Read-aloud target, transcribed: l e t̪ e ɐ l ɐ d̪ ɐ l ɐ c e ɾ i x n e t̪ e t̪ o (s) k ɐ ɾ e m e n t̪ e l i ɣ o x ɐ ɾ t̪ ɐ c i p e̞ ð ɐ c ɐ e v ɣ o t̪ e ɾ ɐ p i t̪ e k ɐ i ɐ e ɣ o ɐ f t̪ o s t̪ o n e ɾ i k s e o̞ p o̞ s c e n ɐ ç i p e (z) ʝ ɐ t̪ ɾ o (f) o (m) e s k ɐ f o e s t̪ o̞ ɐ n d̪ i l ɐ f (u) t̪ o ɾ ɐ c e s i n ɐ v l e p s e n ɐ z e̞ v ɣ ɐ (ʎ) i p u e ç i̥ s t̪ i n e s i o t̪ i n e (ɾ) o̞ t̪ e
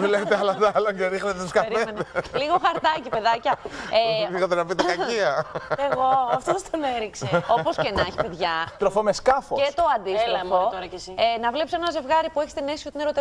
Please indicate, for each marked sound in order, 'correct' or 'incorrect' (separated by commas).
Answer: correct, incorrect, correct, correct, incorrect, incorrect, correct